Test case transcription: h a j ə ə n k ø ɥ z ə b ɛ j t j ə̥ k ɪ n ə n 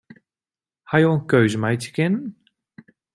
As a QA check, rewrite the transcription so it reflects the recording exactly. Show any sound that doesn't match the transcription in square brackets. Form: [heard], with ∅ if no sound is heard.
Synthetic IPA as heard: h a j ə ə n k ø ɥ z ə [m] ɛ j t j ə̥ k ɪ n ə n